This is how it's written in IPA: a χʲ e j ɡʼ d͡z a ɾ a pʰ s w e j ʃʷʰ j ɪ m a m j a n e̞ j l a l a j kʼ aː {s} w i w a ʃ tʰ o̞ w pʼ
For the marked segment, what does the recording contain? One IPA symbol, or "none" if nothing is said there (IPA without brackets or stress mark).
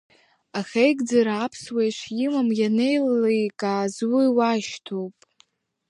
z